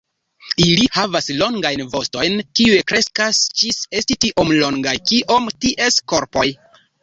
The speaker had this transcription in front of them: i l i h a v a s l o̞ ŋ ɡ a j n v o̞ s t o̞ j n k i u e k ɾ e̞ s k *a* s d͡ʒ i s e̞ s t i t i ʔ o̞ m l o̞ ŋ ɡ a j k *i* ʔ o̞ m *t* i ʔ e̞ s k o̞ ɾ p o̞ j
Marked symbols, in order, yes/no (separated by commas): yes, yes, yes